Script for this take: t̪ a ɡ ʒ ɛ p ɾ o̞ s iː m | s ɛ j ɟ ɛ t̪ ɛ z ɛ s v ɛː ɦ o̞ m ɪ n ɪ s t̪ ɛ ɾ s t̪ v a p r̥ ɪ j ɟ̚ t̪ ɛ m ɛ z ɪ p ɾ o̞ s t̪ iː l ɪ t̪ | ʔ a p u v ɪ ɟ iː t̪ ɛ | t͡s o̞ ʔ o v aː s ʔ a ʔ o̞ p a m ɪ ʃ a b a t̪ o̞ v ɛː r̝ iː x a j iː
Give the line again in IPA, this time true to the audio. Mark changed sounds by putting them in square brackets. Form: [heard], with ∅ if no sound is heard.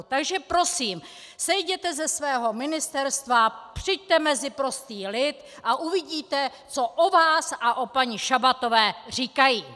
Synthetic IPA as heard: t̪ a ɡ ʒ ɛ p ɾ o̞ s iː m | s ɛ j ɟ ɛ t̪ ɛ z ɛ s v ɛː ɦ o̞ m ɪ n ɪ s t̪ ɛ ɾ s t̪ v a p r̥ ɪ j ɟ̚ t̪ ɛ m ɛ z ɪ p ɾ o̞ s t̪ iː l ɪ t̪ | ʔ a [ʔ] u v ɪ ɟ iː t̪ ɛ | t͡s o̞ ʔ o v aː s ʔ a ʔ o̞ p a [ɲ] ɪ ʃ a b a t̪ o̞ v ɛː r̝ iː [k] a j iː